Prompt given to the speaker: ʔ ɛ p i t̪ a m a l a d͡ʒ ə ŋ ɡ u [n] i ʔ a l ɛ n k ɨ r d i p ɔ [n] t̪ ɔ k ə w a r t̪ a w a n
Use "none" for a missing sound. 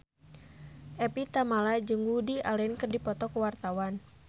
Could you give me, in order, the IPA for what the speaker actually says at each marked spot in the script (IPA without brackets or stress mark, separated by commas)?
d, none